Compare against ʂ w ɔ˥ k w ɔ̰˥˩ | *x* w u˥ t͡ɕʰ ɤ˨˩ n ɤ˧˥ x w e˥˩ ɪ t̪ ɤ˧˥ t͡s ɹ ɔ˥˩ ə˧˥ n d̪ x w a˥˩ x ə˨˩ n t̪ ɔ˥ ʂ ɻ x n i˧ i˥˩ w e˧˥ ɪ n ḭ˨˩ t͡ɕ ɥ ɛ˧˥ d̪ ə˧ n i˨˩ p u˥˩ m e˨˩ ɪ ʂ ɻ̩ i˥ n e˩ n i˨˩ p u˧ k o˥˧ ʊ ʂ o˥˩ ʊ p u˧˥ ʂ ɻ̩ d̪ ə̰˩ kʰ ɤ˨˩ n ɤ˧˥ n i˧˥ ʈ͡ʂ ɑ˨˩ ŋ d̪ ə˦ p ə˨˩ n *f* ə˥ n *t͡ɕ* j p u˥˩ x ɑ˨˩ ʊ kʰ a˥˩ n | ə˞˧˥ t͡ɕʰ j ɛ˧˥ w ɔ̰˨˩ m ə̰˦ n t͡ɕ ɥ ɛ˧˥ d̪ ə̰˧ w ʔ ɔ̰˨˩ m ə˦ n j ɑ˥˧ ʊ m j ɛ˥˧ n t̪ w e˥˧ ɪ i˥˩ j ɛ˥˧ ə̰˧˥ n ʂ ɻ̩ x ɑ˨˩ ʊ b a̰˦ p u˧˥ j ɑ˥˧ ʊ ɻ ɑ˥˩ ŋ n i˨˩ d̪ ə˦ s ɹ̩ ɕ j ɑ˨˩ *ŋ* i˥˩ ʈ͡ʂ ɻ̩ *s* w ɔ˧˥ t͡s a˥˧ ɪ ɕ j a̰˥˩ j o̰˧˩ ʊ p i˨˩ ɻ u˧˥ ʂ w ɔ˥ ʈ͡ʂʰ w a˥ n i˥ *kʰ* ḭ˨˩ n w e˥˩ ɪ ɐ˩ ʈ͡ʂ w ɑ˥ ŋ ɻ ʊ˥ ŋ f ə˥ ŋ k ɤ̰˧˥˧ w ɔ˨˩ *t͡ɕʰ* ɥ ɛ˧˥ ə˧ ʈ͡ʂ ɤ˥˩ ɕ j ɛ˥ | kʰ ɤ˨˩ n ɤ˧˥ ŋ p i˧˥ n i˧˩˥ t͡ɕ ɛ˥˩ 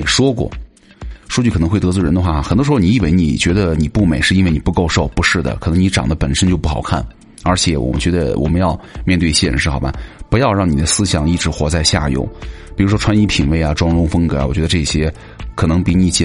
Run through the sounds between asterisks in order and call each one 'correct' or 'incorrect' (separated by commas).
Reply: incorrect, incorrect, correct, correct, incorrect, incorrect, incorrect